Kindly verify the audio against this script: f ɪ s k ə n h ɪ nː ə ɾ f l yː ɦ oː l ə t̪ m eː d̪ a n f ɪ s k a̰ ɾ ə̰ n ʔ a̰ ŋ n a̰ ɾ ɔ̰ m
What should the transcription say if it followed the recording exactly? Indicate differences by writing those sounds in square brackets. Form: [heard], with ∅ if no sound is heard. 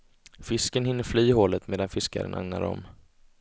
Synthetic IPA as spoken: f ɪ s k ə n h ɪ nː ə ɾ f l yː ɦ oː l ə t̪ m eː d̪ a n f ɪ s k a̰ ɾ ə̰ n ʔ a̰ ŋ n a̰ ɾ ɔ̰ m